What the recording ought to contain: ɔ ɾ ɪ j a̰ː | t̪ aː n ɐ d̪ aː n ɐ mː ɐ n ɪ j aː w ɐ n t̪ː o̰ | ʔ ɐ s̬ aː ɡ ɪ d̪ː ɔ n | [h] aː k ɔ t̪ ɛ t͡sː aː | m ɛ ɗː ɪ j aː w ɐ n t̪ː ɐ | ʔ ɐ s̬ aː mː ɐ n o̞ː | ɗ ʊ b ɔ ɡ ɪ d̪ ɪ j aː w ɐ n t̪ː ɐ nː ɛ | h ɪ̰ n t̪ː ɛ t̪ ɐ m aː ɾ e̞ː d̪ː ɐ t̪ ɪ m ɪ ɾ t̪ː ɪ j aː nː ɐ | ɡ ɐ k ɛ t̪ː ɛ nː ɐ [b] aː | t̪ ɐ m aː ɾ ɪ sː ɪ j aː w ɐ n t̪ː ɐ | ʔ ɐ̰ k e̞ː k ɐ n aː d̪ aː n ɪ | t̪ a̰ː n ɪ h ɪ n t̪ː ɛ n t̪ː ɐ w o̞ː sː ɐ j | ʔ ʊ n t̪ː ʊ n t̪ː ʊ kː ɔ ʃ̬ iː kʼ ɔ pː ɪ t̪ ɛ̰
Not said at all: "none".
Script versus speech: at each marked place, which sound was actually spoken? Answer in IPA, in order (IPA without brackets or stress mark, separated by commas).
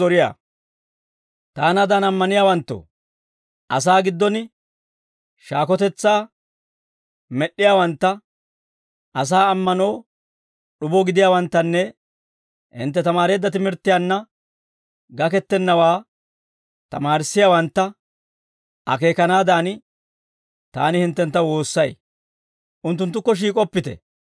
ʃ, w